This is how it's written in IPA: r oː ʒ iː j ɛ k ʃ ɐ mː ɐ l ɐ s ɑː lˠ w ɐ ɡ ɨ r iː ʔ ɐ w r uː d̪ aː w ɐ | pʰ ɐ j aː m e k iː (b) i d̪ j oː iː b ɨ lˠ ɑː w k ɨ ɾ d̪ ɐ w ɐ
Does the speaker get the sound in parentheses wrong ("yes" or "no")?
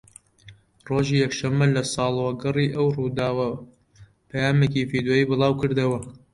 yes